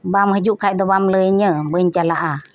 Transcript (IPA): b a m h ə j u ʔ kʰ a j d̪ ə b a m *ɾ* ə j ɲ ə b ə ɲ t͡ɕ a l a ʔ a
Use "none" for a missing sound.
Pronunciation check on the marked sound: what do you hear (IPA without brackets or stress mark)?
l